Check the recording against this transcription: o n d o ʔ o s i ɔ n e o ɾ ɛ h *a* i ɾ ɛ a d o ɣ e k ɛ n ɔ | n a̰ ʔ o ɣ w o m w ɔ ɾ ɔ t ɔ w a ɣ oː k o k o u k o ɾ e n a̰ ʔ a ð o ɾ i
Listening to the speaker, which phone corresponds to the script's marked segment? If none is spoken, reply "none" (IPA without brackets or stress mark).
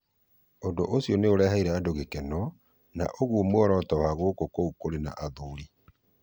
a